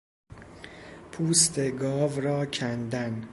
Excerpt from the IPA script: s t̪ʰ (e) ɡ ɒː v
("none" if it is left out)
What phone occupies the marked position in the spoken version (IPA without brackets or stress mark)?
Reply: e